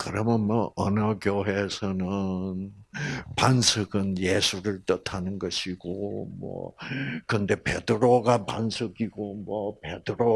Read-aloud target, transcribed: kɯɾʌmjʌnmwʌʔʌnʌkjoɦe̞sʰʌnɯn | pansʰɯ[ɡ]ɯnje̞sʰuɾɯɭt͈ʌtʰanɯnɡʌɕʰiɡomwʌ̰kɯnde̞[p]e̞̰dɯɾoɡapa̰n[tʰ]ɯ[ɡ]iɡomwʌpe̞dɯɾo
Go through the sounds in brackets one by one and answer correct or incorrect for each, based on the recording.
correct, correct, incorrect: sʰ, correct

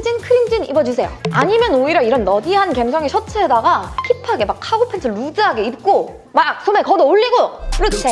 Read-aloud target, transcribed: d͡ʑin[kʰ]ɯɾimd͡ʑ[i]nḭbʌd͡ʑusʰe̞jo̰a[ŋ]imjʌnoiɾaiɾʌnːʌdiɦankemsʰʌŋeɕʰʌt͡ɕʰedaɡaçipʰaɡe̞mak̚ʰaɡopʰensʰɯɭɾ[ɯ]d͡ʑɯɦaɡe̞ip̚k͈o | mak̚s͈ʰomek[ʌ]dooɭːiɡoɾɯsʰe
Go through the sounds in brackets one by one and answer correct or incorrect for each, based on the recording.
correct, correct, incorrect: ɲ, incorrect: u, correct

